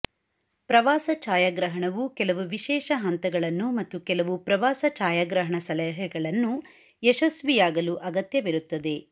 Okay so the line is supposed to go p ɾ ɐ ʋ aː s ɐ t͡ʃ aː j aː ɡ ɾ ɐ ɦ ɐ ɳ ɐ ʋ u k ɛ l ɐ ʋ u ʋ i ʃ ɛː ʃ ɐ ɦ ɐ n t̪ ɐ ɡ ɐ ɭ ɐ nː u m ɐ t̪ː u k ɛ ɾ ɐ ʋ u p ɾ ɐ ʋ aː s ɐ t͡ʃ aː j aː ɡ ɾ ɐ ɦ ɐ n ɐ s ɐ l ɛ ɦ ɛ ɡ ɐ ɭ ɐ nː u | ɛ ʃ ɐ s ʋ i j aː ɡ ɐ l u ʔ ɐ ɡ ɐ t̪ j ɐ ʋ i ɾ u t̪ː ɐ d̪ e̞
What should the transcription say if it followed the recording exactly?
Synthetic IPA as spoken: p ɾ ɐ ʋ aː s ɐ t͡ʃ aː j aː ɡ ɾ ɐ ɦ ɐ ɳ ɐ ʋ u k ɛ l ɐ ʋ u ʋ i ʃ ɛː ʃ ɐ ɦ ɐ n t̪ ɐ ɡ ɐ ɭ ɐ nː u m ɐ t̪ː u k ɛ l ɐ ʋ u p ɾ ɐ ʋ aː s ɐ t͡ʃ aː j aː ɡ ɾ ɐ ɦ ɐ ɳ ɐ s ɐ l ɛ ɦ ɛ ɡ ɐ ɭ ɐ nː u | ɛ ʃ ɐ s ʋ i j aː ɡ ɐ l u ʔ ɐ ɡ ɐ t̪ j ɐ ʋ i ɾ u t̪ː ɐ d̪ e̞